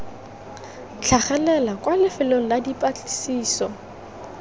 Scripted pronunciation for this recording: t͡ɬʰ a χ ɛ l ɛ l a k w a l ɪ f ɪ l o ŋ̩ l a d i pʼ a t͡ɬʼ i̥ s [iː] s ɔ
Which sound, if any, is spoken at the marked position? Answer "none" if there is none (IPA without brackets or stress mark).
iː